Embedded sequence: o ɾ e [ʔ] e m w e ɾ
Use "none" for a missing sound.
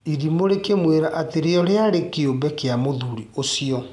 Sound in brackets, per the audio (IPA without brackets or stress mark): k